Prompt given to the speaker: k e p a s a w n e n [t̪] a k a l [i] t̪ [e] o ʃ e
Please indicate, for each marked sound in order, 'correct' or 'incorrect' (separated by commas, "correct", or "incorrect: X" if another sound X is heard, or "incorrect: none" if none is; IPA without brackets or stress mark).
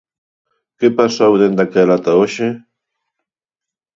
incorrect: d̪, incorrect: a, incorrect: a